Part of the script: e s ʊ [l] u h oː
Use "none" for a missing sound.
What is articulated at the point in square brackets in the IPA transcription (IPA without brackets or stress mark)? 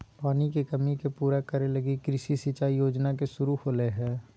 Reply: ɾ